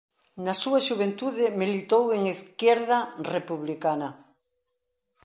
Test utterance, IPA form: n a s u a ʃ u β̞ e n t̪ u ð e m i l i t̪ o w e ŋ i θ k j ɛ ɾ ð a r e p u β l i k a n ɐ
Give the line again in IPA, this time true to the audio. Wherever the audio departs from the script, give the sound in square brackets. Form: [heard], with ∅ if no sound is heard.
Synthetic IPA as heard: n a s u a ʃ u β̞ e n t̪ u ð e m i l i t̪ o w e ŋ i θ k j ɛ ɾ ð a r e p u β l i k a n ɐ